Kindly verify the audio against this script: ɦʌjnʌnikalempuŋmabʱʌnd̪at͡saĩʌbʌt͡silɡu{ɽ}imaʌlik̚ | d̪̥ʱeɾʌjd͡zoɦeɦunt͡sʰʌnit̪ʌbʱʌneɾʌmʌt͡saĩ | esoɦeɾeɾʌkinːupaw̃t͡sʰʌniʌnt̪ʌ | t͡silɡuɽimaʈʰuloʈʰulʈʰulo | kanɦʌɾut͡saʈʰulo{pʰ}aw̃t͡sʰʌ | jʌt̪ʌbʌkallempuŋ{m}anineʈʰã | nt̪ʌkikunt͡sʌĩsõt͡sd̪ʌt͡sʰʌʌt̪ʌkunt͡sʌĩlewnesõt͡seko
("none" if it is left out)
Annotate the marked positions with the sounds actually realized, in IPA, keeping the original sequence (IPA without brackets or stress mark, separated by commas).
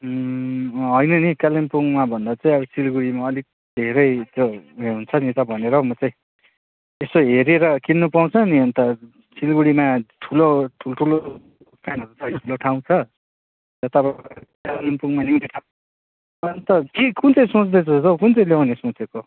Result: ɽ, ʈʰ, m